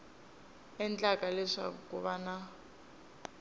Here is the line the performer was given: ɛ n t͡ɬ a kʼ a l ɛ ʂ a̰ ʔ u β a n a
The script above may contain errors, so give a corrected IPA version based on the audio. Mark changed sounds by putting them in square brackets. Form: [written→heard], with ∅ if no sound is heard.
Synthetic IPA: ɛ n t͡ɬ a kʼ a l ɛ ʂ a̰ [ʔ→k] u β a n a